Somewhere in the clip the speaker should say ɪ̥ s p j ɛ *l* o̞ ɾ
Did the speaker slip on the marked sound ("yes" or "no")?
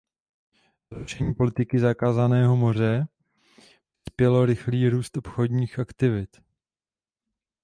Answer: no